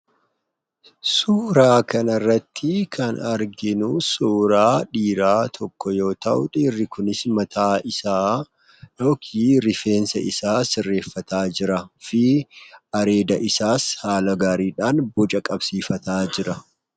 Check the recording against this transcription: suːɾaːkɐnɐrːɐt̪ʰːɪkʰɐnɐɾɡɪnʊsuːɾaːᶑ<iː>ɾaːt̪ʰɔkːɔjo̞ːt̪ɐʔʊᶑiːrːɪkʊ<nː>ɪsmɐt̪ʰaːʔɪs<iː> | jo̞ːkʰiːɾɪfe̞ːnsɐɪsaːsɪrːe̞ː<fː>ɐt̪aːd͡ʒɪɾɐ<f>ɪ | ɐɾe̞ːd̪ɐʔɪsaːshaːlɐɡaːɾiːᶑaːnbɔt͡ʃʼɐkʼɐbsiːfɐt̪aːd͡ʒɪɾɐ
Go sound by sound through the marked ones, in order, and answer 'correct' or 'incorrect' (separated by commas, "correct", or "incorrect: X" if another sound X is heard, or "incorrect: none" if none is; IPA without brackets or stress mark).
correct, incorrect: n, incorrect: aː, correct, correct